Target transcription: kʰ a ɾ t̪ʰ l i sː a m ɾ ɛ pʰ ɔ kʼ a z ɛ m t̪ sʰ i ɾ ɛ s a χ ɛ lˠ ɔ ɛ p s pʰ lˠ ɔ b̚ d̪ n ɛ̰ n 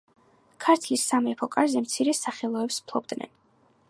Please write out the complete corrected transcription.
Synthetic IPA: kʰ a ɾ t̪ʰ l i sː a m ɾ ɛ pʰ ɔ kʼ a z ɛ m t̪ sʰ i ɾ ɛ s a χ ɛ lˠ ɔ ɛ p s pʰ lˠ ɔ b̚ d̪ n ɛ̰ n